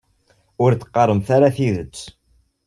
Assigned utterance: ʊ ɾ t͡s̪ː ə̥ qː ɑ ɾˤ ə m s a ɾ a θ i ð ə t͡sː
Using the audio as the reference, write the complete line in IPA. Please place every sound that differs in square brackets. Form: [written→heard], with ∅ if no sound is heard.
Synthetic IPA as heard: ʊ ɾ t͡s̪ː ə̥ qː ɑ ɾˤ ə m [s→θ] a ɾ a θ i ð ə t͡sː